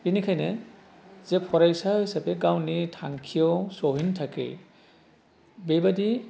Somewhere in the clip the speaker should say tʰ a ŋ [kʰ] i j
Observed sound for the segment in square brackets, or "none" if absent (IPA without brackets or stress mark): kʰ